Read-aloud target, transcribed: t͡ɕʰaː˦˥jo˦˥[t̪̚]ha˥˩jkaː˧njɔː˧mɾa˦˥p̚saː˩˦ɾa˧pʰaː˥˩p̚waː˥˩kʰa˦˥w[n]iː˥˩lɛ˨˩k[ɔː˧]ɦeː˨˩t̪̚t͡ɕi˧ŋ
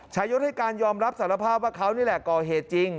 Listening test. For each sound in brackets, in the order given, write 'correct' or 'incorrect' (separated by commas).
correct, correct, incorrect